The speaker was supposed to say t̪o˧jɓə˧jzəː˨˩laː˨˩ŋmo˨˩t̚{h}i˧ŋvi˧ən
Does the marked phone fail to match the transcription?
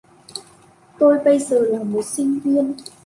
yes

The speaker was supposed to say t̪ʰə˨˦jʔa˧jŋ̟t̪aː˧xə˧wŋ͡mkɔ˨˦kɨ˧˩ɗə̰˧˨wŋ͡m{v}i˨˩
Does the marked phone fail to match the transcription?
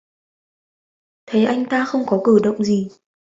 yes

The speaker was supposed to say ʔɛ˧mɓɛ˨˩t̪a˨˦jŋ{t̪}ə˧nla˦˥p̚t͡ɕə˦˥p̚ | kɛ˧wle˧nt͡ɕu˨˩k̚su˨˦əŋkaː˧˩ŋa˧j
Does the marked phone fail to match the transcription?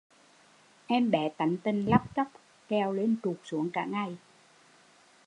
no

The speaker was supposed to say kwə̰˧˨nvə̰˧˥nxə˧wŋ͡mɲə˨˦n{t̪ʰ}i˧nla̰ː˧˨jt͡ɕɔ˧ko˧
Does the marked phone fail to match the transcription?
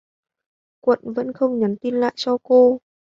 yes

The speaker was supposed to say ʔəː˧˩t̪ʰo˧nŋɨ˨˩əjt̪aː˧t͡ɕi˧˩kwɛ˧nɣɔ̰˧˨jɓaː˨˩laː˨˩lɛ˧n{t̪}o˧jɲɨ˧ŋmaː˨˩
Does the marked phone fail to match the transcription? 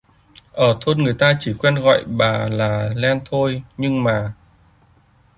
yes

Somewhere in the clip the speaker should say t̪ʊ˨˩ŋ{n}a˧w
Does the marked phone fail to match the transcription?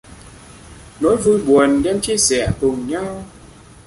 yes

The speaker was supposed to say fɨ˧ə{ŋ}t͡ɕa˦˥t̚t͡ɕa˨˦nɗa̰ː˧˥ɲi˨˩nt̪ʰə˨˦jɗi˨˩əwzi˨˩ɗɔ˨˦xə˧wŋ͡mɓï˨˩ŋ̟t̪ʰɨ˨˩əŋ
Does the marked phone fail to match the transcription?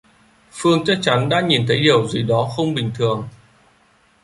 no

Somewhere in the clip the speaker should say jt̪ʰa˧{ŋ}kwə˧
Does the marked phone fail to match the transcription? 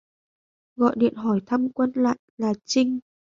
yes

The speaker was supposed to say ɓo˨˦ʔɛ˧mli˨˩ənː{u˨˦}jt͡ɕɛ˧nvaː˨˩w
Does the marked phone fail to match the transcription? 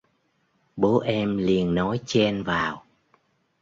yes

